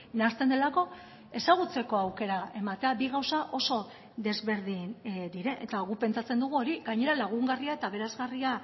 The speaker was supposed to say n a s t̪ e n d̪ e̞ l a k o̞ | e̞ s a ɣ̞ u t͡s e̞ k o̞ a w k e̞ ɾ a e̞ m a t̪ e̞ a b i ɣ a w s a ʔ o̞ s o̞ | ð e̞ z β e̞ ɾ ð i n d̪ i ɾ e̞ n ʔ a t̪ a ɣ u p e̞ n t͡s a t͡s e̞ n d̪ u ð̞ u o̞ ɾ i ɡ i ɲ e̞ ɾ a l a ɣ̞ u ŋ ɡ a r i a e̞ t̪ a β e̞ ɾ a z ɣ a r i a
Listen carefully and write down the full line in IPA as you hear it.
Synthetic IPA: n a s t̪ e n d̪ e̞ l a k o̞ | e̞ s a ɣ̞ u t͡s e̞ k o̞ a w k e̞ ɾ a e̞ m a t̪ e̞ a b i ɣ a w s a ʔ o̞ s o̞ | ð e̞ z β e̞ ɾ ð i n d̪ i ɾ e̞ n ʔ e t̪ a ɣ u p e̞ n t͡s a t͡s e̞ n d̪ u ɣ̞ u o̞ ɾ i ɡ a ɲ e̞ ɾ a l a ɣ̞ u ŋ ɡ a r i a e̞ t̪ a β e̞ ɾ a z ɣ a r i a